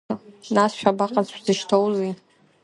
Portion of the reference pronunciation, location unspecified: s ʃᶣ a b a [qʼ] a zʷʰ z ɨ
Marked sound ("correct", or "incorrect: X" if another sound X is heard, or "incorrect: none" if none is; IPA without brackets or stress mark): correct